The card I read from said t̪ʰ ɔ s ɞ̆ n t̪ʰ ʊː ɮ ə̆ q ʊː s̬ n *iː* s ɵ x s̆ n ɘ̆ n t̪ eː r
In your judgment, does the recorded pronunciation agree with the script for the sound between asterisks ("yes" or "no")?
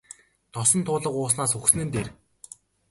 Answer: no